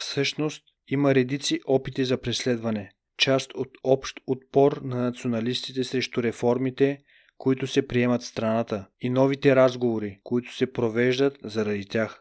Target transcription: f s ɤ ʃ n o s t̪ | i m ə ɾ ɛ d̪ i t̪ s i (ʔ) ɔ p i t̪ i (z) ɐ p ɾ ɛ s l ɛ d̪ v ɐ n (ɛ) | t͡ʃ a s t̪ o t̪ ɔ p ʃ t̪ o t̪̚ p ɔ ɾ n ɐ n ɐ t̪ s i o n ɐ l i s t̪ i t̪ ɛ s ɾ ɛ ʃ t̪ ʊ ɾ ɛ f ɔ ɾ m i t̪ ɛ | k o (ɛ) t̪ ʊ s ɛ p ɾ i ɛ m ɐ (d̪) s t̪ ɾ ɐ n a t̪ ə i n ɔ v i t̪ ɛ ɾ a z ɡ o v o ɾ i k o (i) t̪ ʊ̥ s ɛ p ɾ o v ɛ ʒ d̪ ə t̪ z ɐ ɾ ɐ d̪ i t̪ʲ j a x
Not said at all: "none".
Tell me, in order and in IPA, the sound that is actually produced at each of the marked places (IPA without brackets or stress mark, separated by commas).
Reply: ʔ, z, ɛ, i, t̪, i